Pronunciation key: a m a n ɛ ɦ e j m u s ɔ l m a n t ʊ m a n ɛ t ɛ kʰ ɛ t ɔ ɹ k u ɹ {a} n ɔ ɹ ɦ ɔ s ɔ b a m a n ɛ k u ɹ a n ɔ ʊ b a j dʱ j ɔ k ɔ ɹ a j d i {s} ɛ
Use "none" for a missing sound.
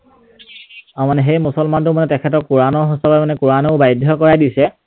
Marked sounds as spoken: a, s

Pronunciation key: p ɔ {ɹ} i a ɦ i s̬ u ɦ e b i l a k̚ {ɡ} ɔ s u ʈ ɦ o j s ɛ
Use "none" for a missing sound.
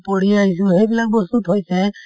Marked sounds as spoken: ɽ, b

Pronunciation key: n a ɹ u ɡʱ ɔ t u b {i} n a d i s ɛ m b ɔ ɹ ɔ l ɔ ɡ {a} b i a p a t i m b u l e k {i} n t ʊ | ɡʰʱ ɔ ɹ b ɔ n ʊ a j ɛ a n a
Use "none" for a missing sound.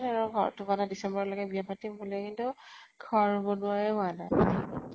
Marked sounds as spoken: a, ɛ, i

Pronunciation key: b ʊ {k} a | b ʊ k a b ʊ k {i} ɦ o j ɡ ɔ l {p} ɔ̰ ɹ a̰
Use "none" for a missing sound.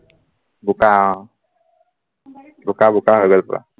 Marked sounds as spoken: k, a, p

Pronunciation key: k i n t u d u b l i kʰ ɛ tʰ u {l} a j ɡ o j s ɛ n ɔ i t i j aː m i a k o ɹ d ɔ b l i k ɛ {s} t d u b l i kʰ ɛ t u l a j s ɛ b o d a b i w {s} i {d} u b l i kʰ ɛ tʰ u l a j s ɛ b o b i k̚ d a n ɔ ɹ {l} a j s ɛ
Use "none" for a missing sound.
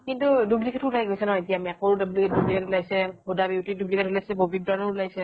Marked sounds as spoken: l, none, t, d, l

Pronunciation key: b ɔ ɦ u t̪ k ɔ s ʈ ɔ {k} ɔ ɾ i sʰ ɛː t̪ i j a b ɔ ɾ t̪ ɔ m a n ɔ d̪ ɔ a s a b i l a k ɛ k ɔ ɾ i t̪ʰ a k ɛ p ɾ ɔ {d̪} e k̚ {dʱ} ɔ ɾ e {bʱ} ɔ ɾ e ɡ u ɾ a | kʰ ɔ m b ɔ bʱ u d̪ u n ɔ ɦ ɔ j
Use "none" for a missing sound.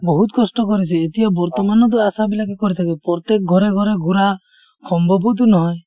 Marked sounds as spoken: k, t̪, ɡʱ, ɡʱ

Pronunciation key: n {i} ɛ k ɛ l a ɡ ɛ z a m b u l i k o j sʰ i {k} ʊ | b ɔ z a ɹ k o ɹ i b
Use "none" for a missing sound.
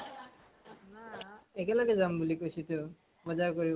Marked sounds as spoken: a, t

